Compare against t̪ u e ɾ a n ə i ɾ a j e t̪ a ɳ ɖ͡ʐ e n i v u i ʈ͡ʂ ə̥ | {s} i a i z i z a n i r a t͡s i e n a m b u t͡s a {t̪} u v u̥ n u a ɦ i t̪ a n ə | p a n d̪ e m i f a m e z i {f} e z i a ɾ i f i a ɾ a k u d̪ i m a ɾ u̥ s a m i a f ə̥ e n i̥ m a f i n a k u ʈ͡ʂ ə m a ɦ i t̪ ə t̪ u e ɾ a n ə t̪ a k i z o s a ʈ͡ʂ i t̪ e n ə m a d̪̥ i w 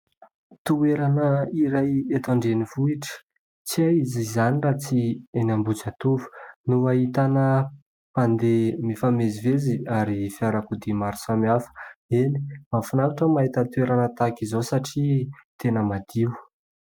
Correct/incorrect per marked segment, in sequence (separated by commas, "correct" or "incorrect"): incorrect, correct, incorrect